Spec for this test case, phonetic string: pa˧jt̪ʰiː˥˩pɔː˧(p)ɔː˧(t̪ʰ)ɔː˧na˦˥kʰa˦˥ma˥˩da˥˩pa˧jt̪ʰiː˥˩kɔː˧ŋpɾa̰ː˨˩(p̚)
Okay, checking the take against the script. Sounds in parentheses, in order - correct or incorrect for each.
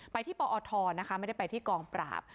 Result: incorrect, correct, correct

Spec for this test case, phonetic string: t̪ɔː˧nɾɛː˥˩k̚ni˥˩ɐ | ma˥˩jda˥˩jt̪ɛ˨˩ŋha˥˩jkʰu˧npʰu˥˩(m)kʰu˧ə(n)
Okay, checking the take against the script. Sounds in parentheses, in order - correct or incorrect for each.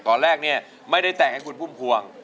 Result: correct, incorrect

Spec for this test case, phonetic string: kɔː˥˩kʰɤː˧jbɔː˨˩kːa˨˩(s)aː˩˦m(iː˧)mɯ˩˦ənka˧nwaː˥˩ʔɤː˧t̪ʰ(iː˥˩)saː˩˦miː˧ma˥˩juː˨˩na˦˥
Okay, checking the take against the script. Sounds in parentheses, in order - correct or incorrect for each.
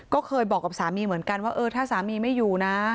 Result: correct, correct, incorrect

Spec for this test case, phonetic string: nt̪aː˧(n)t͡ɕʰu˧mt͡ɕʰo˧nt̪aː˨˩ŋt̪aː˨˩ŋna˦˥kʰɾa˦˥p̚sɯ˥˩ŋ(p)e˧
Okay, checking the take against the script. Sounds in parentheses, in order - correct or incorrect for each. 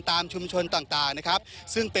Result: incorrect, correct

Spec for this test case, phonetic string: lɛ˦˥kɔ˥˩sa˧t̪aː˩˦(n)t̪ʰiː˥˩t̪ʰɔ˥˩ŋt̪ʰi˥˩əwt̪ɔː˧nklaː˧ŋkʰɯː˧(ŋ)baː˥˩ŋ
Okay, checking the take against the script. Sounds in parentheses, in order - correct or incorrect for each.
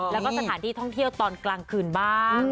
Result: correct, incorrect

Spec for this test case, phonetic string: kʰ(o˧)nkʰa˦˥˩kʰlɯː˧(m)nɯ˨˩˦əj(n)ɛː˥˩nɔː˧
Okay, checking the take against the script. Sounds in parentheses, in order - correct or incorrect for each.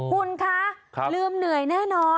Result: incorrect, correct, correct

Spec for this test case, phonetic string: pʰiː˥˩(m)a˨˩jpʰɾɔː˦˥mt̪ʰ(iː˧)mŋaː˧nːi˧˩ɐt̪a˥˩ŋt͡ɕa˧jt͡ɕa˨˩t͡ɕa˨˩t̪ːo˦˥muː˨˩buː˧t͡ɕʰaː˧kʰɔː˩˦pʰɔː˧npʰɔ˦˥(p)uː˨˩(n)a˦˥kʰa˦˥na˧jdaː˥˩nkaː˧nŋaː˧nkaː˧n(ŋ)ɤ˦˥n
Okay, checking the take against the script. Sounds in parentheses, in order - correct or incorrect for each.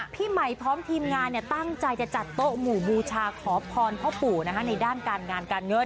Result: correct, correct, correct, correct, correct

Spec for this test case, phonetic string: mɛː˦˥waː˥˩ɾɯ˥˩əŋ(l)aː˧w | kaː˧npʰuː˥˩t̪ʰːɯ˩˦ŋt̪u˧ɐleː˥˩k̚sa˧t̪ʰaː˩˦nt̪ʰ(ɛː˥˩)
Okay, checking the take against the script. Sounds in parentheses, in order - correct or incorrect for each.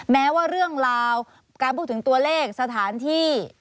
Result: incorrect, incorrect

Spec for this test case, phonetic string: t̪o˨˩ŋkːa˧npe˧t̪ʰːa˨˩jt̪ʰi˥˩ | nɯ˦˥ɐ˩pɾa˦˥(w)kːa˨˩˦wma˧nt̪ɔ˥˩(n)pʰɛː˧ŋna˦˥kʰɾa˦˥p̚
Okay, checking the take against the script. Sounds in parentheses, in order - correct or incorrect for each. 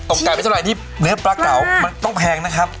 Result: incorrect, incorrect

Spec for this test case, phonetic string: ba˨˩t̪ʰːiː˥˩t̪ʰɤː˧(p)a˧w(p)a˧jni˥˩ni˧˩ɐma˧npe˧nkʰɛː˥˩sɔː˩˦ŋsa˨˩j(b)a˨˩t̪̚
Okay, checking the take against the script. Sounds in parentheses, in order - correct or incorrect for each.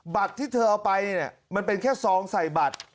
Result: incorrect, correct, correct

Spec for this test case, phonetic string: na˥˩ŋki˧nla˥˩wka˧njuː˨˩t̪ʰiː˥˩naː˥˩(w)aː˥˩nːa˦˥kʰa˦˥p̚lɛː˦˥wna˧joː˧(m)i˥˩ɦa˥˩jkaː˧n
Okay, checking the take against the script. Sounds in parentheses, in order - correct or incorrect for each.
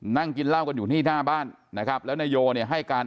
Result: incorrect, incorrect

